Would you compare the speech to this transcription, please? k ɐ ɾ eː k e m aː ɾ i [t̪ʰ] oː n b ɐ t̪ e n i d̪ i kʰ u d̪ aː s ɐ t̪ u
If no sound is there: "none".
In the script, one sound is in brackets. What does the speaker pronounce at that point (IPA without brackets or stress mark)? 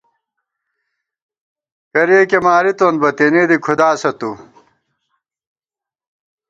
t̪